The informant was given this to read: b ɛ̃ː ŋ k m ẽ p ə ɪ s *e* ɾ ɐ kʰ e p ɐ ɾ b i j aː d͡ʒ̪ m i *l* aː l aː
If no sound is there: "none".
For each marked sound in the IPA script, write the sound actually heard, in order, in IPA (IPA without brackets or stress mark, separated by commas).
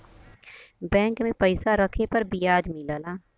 a, l